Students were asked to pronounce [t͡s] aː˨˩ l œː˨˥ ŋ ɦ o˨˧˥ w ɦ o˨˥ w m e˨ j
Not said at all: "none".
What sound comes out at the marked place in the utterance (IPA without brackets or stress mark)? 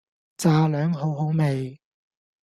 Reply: t͡s